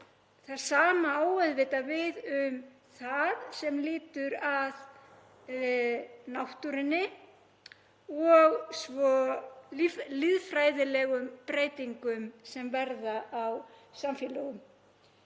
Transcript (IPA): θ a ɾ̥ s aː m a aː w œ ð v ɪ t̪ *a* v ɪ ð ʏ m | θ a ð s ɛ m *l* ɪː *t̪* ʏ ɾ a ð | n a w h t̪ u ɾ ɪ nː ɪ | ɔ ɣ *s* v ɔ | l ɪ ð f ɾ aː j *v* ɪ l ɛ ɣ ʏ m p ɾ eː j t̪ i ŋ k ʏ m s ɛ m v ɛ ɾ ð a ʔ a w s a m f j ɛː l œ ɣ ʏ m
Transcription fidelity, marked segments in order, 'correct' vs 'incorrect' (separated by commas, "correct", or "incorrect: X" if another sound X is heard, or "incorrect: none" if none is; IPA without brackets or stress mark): correct, correct, correct, correct, incorrect: ð